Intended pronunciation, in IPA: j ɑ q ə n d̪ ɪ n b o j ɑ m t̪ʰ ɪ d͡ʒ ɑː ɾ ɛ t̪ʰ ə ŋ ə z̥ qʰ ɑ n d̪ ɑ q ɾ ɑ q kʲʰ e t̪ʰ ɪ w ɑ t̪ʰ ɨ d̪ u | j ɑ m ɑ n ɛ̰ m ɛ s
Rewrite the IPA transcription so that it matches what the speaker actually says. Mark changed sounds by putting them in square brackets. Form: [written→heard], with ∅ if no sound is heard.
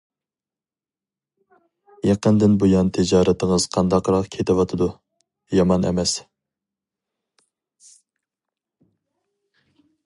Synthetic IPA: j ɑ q ə n d̪ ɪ n b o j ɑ [m→n] t̪ʰ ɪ d͡ʒ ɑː ɾ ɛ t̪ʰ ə ŋ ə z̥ qʰ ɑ n d̪ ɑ q ɾ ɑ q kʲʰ e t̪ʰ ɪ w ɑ t̪ʰ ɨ d̪ u | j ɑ m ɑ n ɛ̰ m ɛ s